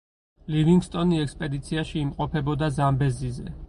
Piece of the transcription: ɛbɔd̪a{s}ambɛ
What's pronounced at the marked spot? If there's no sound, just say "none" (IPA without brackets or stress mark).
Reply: z